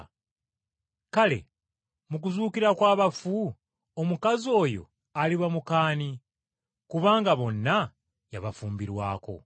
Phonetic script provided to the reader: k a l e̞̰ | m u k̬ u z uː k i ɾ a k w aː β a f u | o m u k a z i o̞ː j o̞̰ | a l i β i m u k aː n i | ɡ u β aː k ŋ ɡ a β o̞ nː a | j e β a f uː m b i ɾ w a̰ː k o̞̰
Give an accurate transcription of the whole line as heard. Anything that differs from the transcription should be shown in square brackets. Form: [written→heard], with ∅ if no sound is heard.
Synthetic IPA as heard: k a l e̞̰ | m u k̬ u z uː k i ɾ a k w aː β a f u | o m u k a z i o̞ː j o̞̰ | a l i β [i→a] m u k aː n i | [ɡ→k] u β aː [k→∅] ŋ ɡ a β o̞ nː a | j [e→a] β a f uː m b i ɾ w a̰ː k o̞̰